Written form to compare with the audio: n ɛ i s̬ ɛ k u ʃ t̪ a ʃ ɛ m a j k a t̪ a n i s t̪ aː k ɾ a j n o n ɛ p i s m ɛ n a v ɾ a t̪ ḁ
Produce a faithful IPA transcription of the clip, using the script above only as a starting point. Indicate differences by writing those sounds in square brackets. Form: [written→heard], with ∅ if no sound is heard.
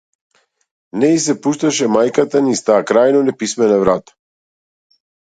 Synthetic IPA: n ɛ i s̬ ɛ [k→p] u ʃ t̪ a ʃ ɛ m a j k a t̪ a n i s t̪ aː k ɾ a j n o n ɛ p i s m ɛ n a v ɾ a t̪ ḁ

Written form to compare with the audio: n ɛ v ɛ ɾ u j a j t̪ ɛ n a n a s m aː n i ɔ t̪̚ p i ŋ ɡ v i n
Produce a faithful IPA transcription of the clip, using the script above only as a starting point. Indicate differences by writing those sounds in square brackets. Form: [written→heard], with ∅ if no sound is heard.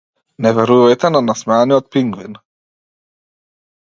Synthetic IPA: n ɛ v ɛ ɾ u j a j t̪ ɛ n a n a s m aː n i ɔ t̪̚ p i ŋ ɡ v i n

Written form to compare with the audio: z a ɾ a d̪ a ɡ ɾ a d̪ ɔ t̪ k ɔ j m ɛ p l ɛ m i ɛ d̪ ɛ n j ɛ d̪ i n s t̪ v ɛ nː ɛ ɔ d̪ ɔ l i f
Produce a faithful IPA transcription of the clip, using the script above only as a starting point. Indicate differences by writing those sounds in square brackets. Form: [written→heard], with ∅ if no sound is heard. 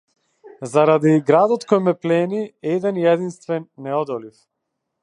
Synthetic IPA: z a ɾ a d̪ [a→i] ɡ ɾ a d̪ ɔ t̪ k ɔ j m ɛ p l ɛ [m→n] i ɛ d̪ ɛ n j ɛ d̪ i n s t̪ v ɛ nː ɛ ɔ d̪ ɔ l i f

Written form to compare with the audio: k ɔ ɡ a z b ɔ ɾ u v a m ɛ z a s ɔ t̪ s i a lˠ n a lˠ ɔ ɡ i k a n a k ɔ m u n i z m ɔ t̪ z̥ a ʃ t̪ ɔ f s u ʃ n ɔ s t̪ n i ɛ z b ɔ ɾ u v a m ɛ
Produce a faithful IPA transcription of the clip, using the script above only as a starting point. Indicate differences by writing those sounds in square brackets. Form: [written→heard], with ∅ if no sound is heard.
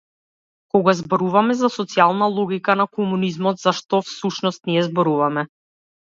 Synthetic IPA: k ɔ ɡ a z b ɔ ɾ u v a m ɛ z a s ɔ t̪ s i a lˠ n a lˠ ɔ ɡ i k a n a k ɔ m u n i z m ɔ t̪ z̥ a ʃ t̪ ɔ f s u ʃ n ɔ s t̪ n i ɛ z b ɔ ɾ u v a m ɛ

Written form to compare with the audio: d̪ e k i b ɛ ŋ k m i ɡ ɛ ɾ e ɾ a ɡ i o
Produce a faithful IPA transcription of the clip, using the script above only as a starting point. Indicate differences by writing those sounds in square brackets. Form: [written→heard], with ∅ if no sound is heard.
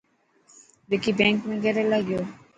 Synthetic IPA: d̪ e k i b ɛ ŋ k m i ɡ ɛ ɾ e [ɾ→l] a ɡ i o

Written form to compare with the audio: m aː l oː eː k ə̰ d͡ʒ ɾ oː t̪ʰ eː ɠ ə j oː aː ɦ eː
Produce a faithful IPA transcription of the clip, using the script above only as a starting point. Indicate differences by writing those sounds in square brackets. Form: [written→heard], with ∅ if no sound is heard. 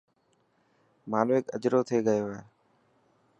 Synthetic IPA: m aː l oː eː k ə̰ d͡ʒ ɾ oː t̪ʰ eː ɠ ə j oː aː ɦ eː

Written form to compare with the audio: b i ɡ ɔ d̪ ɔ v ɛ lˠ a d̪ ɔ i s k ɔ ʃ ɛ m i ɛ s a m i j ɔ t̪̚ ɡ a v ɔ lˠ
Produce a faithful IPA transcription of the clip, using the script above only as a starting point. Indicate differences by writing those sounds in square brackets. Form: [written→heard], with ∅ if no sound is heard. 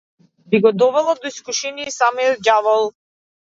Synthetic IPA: b i ɡ ɔ d̪ ɔ v ɛ lˠ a d̪ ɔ i s k [ɔ→u] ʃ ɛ [m→n] i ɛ s a m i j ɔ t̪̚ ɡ a v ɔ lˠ

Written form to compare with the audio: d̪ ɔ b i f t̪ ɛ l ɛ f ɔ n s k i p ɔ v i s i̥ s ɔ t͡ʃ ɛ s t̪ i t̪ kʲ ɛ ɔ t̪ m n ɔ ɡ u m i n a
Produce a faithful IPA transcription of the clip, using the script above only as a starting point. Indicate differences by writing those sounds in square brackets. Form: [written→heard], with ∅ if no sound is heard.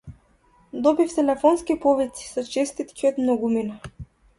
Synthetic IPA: d̪ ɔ b i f t̪ ɛ l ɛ f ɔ n s k i p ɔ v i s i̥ s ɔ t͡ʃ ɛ s t̪ i t̪ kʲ [ɛ→i] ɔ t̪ m n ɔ ɡ u m i n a

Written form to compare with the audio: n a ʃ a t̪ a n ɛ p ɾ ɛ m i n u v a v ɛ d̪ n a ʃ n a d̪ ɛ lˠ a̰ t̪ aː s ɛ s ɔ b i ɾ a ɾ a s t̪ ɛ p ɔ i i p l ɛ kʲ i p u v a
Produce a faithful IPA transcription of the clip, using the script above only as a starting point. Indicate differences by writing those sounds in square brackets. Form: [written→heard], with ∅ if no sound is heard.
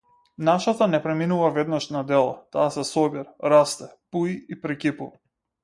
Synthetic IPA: n a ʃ a t̪ a n ɛ p ɾ ɛ m i n u v a v ɛ d̪ n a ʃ n a d̪ ɛ lˠ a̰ t̪ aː s ɛ s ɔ b i ɾ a ɾ a s t̪ ɛ p [ɔ→u] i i p [l→ɾ] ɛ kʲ i p u v a

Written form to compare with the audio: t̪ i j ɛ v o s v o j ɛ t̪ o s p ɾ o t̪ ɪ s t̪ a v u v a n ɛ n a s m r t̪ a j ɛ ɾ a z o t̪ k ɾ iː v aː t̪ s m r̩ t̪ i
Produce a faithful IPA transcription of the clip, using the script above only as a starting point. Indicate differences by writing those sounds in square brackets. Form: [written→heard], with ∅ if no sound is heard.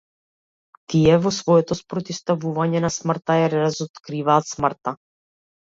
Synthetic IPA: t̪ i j ɛ v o s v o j ɛ t̪ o s p ɾ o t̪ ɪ s t̪ a v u v a [n→ɲ] ɛ n a s m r t̪ a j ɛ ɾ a z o t̪ k ɾ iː v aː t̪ s m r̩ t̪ [i→a]

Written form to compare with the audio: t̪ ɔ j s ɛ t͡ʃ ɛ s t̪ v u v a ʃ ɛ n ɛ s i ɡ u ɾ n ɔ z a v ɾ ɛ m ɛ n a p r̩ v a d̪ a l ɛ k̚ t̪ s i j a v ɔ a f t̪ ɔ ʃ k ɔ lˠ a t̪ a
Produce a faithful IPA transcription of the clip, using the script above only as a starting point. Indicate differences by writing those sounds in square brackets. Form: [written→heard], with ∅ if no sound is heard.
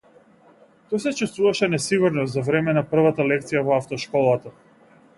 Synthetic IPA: t̪ ɔ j s ɛ t͡ʃ ɛ s t̪ v u v a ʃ ɛ n ɛ s i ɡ u ɾ n ɔ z a v ɾ ɛ m ɛ n a p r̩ v a [d̪→t̪] a l ɛ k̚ t̪ s i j a v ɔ a f t̪ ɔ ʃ k ɔ lˠ a t̪ a

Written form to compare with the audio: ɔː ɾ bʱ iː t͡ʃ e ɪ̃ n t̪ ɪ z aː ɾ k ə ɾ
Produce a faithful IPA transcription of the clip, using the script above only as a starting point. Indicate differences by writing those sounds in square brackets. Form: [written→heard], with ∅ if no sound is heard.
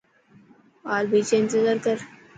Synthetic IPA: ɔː ɾ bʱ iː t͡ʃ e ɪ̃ n t̪ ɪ z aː ɾ k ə ɾ

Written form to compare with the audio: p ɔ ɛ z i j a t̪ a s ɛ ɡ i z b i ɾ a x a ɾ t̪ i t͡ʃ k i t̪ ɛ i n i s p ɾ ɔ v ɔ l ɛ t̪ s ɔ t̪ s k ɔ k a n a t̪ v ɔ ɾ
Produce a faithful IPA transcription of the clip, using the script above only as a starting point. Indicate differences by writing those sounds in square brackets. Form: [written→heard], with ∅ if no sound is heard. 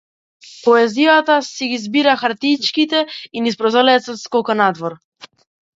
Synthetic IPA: p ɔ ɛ z i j a t̪ a s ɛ ɡ i z b i ɾ a x a ɾ t̪ i t͡ʃ k i t̪ ɛ i n i s p ɾ ɔ [v→z] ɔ l ɛ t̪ s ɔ t̪ s k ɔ k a n a [t̪→d̪] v ɔ ɾ

